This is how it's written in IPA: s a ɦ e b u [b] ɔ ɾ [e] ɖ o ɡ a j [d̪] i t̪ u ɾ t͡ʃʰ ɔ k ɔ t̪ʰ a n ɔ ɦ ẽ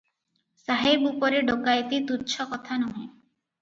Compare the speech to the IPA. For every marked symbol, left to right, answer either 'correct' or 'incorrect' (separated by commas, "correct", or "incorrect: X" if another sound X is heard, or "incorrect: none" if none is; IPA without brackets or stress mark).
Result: incorrect: p, correct, incorrect: t̪